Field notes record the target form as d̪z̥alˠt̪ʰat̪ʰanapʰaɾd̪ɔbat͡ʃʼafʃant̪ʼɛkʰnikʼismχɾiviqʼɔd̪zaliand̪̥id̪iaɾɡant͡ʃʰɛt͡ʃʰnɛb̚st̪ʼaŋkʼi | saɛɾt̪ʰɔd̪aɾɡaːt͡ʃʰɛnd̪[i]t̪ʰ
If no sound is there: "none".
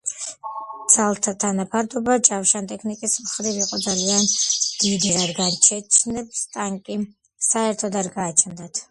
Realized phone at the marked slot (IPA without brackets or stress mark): a